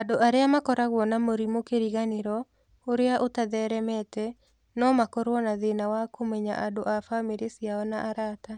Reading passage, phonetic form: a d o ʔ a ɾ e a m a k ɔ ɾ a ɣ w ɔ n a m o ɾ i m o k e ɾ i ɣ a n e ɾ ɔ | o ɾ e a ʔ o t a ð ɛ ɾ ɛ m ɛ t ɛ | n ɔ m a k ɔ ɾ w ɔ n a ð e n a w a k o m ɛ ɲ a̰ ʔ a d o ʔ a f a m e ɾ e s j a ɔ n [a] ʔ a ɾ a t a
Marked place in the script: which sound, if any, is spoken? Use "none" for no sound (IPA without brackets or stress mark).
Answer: a